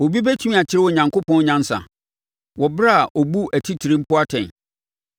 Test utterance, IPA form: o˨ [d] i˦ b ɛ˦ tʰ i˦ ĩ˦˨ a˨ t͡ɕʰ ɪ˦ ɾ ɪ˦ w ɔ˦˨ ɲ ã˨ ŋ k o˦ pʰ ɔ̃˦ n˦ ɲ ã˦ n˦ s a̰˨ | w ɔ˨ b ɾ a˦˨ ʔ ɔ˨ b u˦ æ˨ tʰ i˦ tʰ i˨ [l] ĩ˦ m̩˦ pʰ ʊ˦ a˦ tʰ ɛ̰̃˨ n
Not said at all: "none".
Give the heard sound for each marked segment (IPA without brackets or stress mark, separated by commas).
b, ɾ